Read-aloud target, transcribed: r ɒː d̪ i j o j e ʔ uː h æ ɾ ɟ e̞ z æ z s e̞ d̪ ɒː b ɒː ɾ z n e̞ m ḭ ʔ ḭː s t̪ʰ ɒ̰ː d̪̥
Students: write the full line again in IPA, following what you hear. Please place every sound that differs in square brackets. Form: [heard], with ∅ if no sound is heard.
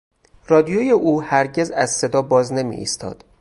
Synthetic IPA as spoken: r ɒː d̪ i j o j e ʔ uː h æ ɾ ɟ e̞ z æ z s e̞ d̪ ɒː b ɒː [∅] z n e̞ m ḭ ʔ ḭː s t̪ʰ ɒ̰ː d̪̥